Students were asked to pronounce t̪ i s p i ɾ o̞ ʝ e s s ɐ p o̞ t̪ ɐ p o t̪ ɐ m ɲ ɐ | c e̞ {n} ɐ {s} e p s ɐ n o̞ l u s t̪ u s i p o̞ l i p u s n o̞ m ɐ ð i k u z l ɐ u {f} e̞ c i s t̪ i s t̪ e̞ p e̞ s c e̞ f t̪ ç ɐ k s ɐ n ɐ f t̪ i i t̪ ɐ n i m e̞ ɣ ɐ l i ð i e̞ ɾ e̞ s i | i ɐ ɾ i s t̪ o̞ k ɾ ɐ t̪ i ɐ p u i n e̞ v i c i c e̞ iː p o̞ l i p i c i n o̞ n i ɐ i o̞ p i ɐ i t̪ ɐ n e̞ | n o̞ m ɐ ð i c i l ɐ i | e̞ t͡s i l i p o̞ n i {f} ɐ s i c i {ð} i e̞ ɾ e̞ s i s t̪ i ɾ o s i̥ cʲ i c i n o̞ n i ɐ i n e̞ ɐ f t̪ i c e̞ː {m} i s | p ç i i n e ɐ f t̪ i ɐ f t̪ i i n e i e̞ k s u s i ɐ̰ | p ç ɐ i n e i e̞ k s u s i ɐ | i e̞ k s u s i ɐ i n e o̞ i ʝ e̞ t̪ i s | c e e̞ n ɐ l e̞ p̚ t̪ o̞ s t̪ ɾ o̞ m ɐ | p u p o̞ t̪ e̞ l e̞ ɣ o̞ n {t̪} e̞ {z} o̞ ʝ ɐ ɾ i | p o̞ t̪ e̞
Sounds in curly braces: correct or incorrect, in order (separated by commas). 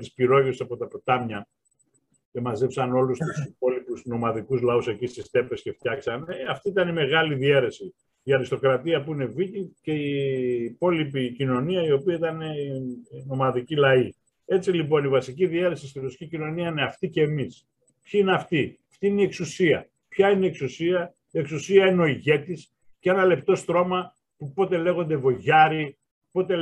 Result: incorrect, incorrect, incorrect, incorrect, correct, correct, incorrect, incorrect